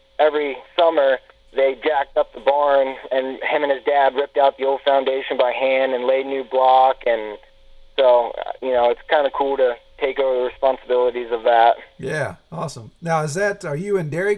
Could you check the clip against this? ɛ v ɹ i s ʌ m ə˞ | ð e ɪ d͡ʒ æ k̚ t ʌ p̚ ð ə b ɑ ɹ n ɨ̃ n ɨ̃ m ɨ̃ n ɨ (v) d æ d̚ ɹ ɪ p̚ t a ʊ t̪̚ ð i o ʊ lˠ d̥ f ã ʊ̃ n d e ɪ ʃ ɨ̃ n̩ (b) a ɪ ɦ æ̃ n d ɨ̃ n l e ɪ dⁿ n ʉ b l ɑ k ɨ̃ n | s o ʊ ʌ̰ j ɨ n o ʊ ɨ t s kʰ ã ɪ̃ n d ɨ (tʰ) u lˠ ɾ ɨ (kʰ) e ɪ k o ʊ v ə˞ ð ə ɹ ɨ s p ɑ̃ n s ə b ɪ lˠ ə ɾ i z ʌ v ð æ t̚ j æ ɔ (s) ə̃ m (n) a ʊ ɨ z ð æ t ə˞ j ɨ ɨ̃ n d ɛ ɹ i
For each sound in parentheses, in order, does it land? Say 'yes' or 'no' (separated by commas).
no, yes, no, no, yes, yes